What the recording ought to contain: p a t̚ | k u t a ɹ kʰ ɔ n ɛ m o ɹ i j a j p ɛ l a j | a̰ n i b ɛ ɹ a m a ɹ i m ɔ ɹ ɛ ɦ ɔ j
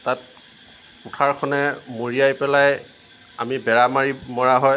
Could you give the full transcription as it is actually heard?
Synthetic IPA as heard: t a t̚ | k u tʰ a ɹ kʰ ɔ n ɛ m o ɹ i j a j p ɛ l a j | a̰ m i b ɛ ɹ a m a ɹ i m ɔ ɹ a ɦ ɔ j